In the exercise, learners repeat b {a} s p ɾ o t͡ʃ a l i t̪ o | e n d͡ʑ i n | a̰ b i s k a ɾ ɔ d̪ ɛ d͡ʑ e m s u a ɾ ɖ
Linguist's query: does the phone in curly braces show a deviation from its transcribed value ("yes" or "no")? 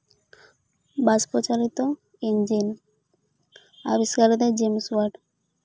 no